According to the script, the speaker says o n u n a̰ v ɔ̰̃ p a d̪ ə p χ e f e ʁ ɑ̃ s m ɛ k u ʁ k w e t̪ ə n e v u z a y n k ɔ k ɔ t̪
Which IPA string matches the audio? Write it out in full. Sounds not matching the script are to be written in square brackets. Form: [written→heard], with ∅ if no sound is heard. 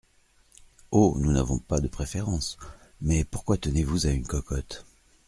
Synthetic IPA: o n u n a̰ v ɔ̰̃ p a d̪ ə p χ e f e ʁ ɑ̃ s m ɛ [k→p] u ʁ k w [e→a] t̪ ə n e v u z a y n k ɔ k ɔ t̪